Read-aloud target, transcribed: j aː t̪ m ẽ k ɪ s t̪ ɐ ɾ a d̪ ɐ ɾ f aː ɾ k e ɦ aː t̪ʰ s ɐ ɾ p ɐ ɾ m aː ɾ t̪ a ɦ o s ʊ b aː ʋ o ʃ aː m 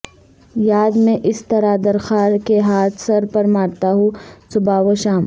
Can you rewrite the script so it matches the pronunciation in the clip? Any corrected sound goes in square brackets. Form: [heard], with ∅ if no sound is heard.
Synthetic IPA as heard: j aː [d̪] m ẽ [ʔ] ɪ s t̪ ɐ ɾ a d̪ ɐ ɾ [x] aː ɾ k e ɦ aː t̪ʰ s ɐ ɾ p ɐ ɾ m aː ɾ t̪ a ɦ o s ʊ b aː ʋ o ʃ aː m

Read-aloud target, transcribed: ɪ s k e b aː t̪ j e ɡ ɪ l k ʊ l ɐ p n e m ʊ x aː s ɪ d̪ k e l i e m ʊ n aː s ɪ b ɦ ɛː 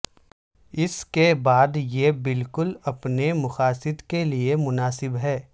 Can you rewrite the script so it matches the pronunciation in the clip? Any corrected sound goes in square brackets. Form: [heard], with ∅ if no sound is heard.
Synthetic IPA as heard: ɪ s k e b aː [d̪] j e [b] ɪ l k ʊ l ɐ p n e m ʊ x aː s ɪ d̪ k e l i e m ʊ n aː s ɪ b ɦ ɛː

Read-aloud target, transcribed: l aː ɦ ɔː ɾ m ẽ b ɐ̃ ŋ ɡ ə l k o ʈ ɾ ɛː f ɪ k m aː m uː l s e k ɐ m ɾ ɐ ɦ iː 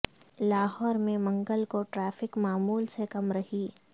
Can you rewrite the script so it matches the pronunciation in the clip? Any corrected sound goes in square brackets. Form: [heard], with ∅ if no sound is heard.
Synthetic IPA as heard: l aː ɦ ɔː ɾ m ẽ [m] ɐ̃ ŋ ɡ ə l k o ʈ ɾ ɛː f ɪ k m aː m uː l s e k ɐ m ɾ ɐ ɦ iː

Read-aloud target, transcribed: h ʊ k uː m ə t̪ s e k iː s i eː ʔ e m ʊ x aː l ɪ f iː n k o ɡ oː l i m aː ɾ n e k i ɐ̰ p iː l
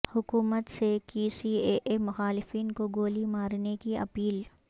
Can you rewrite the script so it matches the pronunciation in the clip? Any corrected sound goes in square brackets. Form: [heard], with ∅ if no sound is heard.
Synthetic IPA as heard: h ʊ k uː m ə t̪ s e k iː s i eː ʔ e m ʊ x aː l ɪ f iː n k o ɡ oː l i m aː ɾ n e k i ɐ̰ p iː l

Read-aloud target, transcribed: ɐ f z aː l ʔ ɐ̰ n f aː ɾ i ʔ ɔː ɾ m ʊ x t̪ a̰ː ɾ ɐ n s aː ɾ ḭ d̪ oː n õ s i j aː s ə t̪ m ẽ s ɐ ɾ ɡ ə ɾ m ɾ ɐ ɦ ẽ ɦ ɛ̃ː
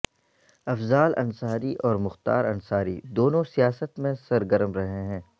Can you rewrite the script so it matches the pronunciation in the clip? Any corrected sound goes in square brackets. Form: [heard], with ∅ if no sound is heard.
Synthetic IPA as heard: ɐ f z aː l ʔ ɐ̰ n [s] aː ɾ i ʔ ɔː ɾ m ʊ x t̪ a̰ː ɾ ɐ n s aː ɾ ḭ d̪ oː n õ s i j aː s ə t̪ m ẽ s ɐ ɾ ɡ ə ɾ m ɾ ɐ ɦ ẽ ɦ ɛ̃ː

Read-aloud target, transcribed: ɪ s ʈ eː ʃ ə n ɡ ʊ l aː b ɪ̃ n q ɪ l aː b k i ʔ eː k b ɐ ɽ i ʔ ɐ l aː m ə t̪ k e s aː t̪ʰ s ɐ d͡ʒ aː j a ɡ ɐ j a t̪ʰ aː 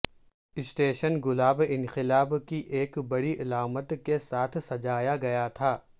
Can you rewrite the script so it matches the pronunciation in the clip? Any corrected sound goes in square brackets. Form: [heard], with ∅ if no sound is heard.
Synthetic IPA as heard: ɪ s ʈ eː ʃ ə n ɡ ʊ l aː b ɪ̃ n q ɪ l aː b k i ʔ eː k b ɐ ɽ i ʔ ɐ l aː m ə t̪ k e s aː t̪ʰ s ɐ d͡ʒ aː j a ɡ ɐ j a t̪ʰ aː

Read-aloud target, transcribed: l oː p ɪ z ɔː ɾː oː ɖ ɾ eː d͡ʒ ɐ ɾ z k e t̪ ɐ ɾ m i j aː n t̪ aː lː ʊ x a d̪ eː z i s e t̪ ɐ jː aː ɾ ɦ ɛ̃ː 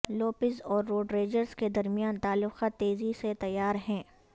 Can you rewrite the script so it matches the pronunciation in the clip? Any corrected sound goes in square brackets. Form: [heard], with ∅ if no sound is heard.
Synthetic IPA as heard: l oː p ɪ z ɔː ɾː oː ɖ ɾ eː d͡ʒ [ə] ɾ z k e [d̪] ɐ ɾ m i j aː n t̪ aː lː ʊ x a [t̪] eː z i s e t̪ ɐ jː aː ɾ ɦ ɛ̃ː

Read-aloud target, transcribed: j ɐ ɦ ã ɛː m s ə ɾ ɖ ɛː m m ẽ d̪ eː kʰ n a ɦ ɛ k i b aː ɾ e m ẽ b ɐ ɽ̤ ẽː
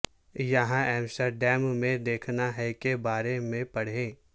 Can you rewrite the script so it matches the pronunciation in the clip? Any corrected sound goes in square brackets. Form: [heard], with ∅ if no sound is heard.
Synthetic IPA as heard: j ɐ ɦ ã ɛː m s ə ɾ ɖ ɛː m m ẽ d̪ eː kʰ n a ɦ ɛ k [e] b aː ɾ e m ẽ [p] ɐ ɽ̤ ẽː

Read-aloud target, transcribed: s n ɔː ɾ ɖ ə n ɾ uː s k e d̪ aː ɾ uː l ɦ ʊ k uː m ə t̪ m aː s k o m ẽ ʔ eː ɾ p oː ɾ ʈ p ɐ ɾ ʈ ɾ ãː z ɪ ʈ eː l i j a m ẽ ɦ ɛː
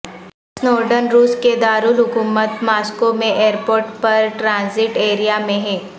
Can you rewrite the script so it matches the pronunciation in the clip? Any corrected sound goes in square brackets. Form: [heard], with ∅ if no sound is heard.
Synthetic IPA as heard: s n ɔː ɾ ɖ ə n ɾ uː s k e d̪ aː ɾ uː l ɦ ʊ k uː m ə t̪ m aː s k o m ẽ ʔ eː ɾ p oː ɾ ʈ p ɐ ɾ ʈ ɾ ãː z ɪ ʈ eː [ɾ] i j a m ẽ ɦ ɛː

